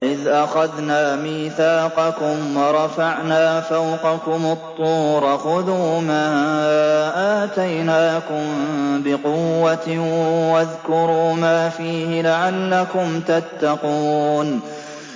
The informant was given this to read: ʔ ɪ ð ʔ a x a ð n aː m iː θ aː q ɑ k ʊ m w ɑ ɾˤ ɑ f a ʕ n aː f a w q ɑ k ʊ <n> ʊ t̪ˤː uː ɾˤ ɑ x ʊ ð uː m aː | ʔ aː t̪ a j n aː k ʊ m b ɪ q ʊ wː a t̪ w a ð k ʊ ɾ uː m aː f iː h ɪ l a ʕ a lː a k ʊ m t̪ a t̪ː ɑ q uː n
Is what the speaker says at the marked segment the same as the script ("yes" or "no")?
no